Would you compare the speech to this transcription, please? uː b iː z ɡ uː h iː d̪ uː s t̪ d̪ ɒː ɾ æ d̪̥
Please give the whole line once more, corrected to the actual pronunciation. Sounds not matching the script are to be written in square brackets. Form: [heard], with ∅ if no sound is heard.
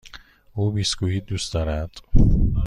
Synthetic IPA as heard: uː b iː [s] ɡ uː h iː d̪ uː s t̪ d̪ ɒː ɾ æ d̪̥